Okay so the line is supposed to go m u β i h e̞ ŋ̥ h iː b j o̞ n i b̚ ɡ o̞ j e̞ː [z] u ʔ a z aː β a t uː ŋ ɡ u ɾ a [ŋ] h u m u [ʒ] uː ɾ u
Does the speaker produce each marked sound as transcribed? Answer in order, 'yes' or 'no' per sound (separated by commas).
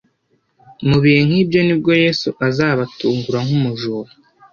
no, yes, yes